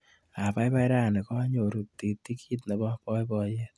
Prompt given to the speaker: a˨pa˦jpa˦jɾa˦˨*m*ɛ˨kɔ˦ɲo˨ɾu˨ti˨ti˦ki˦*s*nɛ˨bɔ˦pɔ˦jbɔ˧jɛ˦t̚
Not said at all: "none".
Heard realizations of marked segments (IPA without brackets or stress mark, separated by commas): n, t